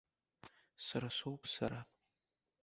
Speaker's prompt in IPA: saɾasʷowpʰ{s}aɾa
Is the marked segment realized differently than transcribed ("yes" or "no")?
no